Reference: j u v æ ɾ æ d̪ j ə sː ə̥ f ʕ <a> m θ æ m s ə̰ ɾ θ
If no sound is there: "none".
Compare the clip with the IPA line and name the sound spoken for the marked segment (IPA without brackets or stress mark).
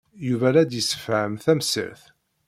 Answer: ə